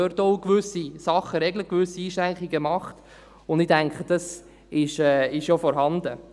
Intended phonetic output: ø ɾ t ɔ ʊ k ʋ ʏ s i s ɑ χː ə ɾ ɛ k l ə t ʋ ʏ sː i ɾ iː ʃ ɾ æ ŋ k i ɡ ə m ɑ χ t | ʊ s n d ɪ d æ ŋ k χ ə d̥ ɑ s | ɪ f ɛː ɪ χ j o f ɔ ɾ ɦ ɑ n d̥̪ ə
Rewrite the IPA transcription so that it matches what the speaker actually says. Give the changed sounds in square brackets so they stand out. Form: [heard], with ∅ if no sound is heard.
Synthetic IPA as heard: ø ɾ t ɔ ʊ k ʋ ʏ s i s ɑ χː ə ɾ ɛ [ɡ] l ə [k] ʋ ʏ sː i [∅] iː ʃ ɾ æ ŋ k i ɡ ə m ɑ χ t | ʊ [∅] n d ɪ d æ ŋ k χ ə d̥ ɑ s | ɪ [ʃ] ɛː ɪ [ʃ] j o f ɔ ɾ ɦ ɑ n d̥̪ ə